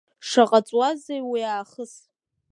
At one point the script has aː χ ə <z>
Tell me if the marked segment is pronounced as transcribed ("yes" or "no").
no